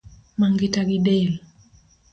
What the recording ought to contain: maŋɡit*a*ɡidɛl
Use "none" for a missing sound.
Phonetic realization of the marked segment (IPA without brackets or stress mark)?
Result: a